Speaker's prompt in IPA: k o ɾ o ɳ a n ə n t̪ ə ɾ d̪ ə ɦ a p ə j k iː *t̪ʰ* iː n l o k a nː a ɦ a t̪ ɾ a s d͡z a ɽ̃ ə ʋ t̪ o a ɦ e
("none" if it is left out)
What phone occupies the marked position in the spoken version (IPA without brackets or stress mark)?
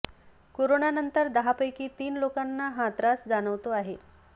t̪